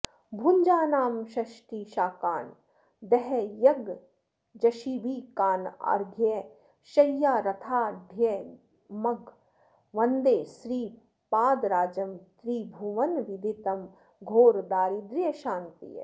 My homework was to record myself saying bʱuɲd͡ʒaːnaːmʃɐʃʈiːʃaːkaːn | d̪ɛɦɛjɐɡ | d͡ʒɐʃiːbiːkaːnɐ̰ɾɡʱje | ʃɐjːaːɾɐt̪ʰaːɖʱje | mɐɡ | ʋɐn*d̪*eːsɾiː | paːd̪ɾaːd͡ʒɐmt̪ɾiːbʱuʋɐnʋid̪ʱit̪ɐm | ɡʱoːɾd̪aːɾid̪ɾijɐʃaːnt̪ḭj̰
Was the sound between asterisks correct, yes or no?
yes